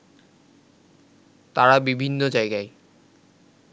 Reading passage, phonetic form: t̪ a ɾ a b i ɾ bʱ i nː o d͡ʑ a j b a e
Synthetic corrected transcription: t̪ a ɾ a b i bʱ i nː o d͡ʑ a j ɡ a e